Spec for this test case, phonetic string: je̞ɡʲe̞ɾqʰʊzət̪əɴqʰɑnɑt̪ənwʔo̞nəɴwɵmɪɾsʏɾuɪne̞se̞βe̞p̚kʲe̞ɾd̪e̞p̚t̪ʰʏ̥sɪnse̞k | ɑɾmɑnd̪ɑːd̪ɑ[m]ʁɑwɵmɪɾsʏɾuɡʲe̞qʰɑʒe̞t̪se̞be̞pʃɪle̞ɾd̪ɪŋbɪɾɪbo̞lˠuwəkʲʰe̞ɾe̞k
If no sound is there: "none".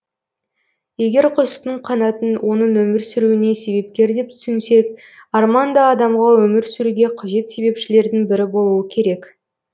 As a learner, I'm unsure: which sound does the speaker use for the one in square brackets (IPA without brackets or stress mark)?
m